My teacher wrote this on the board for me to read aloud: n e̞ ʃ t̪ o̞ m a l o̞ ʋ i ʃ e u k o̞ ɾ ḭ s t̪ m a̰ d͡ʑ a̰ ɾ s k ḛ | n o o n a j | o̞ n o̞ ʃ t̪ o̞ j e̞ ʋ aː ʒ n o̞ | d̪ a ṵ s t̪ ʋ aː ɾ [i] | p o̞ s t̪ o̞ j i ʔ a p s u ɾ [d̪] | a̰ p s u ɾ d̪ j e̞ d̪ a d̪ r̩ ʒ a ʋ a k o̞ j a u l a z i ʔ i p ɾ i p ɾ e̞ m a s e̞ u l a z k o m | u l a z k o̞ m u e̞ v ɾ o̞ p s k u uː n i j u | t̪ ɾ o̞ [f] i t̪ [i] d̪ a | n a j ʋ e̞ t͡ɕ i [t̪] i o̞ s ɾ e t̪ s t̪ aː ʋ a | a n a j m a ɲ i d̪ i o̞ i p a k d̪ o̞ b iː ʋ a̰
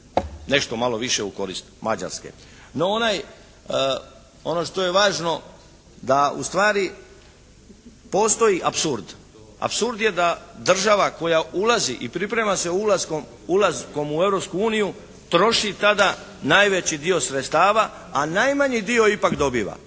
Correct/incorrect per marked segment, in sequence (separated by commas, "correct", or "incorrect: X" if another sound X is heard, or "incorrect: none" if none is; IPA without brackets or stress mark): correct, correct, incorrect: ʃ, incorrect: a, incorrect: d̪